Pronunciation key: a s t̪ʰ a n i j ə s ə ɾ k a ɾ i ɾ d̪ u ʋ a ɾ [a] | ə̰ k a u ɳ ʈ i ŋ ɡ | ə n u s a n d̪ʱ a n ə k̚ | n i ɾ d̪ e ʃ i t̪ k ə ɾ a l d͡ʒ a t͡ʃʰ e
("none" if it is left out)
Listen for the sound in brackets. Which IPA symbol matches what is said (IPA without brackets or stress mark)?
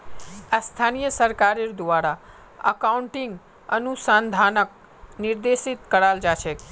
a